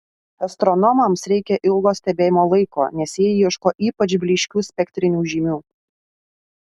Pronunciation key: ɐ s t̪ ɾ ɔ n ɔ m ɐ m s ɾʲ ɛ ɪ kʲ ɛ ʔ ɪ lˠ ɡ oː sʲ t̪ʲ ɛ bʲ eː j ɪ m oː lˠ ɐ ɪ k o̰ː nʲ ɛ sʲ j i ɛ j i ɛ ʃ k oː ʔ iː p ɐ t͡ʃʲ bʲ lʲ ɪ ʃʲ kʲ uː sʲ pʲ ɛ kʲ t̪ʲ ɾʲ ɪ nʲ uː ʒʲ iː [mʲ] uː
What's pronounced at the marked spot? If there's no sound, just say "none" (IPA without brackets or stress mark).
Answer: mʲ